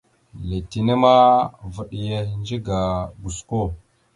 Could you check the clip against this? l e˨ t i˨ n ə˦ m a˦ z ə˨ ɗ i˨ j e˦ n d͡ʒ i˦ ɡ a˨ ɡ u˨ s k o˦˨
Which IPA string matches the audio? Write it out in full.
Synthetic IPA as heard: l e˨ t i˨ n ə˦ m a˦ v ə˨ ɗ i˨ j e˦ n d͡ʒ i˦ ɡ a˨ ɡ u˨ s k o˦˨